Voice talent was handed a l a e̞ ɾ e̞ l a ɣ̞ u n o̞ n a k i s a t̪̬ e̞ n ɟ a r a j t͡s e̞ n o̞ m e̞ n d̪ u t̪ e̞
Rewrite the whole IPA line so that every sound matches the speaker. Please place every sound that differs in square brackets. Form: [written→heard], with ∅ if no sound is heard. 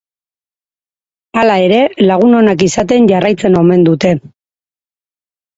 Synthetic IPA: a l a e̞ ɾ e̞ l a ɣ̞ u n o̞ n a k i s a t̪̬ e̞ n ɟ a r a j t͡s e̞ n o̞ m e̞ n d̪ u t̪ e̞